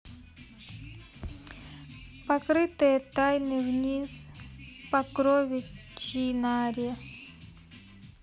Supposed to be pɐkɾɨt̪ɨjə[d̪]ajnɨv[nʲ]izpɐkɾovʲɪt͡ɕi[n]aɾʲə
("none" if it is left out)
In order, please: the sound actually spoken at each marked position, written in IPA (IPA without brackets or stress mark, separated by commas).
t̪, nʲ, n